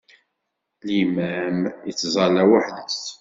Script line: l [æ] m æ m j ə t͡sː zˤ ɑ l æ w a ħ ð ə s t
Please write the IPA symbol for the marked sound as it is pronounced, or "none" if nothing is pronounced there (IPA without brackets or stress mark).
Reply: i